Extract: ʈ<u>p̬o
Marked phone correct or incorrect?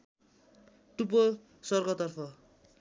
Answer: correct